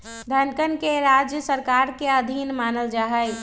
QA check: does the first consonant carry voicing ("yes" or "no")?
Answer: yes